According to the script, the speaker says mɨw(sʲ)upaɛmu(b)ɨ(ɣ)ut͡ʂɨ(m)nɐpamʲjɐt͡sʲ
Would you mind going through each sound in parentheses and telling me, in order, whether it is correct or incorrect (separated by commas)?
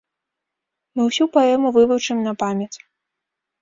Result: correct, incorrect, incorrect, correct